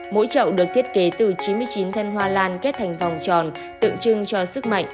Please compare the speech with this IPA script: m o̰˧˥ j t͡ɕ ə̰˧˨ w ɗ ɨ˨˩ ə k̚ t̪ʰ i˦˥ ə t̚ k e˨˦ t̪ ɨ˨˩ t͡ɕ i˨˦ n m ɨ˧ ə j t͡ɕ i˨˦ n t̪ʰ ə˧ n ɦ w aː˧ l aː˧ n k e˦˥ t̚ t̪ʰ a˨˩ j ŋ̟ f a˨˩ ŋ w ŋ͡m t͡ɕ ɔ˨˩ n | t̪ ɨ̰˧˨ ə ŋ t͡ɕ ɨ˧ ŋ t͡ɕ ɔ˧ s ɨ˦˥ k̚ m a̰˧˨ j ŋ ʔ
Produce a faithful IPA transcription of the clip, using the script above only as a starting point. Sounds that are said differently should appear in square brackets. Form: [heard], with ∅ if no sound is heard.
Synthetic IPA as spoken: m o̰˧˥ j t͡ɕ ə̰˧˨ w ɗ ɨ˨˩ ə k̚ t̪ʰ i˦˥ ə t̚ k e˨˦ t̪ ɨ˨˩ t͡ɕ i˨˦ n m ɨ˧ ə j t͡ɕ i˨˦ n t̪ʰ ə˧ n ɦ w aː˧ l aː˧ n k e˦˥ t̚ t̪ʰ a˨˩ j ŋ̟ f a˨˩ [∅] w ŋ͡m t͡ɕ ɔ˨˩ n | t̪ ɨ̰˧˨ ə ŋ t͡ɕ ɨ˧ ŋ t͡ɕ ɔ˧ s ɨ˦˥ k̚ m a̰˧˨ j ŋ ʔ